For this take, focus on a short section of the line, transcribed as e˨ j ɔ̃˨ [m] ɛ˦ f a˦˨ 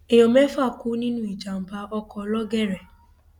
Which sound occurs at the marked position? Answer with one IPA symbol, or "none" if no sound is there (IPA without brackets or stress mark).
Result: m